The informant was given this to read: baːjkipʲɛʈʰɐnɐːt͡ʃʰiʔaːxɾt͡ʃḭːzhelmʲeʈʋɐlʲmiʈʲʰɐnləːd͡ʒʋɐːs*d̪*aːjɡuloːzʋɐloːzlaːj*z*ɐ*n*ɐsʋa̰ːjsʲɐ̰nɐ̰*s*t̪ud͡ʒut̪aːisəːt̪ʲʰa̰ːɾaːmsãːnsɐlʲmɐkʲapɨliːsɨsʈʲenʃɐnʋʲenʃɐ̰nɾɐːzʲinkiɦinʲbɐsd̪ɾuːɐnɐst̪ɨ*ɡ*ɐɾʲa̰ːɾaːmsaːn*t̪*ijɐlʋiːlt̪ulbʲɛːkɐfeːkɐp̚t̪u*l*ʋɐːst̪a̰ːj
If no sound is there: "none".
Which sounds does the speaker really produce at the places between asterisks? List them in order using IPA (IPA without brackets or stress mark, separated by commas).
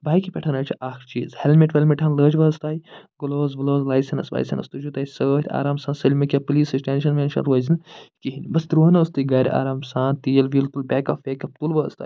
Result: t̪, s, n, s, ɡ, t̪, l